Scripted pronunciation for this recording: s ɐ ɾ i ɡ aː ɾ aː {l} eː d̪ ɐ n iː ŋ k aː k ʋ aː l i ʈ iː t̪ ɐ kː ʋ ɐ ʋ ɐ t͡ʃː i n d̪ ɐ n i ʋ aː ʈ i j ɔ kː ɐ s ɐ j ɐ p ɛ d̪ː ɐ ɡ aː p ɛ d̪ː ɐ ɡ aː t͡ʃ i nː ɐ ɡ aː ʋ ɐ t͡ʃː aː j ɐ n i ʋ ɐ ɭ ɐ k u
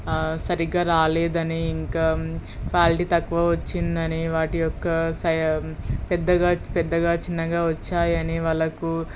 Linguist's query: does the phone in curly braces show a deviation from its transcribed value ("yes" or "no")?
no